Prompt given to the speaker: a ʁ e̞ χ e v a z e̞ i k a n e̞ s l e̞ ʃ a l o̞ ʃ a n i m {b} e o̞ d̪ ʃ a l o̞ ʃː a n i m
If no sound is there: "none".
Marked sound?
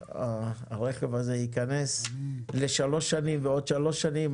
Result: v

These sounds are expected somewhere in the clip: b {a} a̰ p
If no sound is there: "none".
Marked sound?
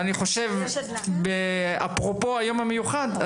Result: e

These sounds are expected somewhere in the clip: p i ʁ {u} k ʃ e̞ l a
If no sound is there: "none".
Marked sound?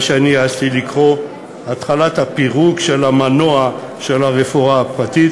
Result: u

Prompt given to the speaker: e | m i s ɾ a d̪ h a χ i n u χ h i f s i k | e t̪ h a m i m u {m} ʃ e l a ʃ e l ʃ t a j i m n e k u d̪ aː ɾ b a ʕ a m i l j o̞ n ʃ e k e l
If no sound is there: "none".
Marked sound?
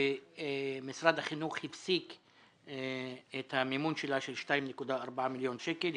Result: n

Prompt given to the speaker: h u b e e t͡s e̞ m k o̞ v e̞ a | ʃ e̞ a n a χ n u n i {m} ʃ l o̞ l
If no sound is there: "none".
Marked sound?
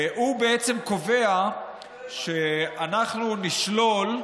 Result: none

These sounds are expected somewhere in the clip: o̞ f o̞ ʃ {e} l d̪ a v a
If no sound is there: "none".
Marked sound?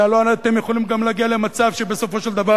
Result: e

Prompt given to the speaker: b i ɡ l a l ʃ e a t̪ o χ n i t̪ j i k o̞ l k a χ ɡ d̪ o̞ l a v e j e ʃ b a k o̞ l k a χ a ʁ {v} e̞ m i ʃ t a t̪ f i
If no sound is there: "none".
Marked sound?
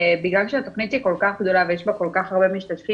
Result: b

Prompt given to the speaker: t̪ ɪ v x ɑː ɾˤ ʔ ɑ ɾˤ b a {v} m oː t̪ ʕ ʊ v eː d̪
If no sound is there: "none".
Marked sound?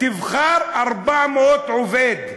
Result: ʕ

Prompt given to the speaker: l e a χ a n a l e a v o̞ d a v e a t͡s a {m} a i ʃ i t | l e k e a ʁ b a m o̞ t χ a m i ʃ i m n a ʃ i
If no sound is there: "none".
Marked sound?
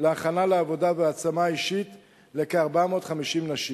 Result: m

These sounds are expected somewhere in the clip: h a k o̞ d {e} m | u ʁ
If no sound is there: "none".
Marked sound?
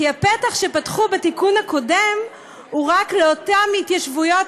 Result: e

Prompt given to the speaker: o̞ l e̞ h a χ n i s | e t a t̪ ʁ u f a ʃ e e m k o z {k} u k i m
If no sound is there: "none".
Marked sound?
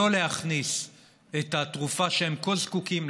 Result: k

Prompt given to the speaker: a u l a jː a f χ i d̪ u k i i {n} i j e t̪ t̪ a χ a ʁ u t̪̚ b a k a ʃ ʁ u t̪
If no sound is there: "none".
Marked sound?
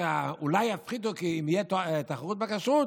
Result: m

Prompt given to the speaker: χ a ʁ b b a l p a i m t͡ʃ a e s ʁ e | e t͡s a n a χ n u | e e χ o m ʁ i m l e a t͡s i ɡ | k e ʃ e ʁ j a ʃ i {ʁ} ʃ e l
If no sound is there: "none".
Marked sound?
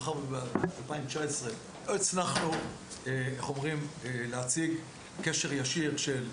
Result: ʁ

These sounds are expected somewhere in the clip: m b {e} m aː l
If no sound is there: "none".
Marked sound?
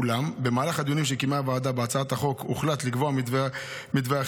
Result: e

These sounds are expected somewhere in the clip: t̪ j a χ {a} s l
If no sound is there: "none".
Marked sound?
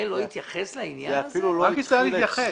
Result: e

